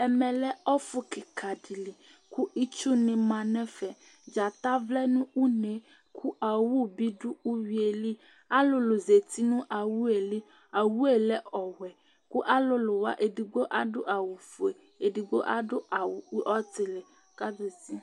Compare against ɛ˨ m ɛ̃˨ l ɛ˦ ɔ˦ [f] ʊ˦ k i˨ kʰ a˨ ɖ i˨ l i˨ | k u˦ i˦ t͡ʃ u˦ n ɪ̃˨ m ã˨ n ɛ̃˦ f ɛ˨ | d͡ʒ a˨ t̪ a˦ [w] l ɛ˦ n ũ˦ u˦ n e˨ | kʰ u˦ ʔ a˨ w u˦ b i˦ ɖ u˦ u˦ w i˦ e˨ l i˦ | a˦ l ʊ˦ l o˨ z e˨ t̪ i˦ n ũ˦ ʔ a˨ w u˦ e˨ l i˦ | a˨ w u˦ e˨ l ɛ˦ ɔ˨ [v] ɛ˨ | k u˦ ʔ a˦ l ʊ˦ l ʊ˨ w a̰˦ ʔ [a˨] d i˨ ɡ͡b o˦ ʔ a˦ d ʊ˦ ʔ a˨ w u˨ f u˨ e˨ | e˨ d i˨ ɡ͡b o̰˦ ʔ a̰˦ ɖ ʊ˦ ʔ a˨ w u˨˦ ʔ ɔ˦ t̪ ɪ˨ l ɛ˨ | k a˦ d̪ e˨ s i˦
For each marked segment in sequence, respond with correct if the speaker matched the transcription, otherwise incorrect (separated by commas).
correct, incorrect, incorrect, incorrect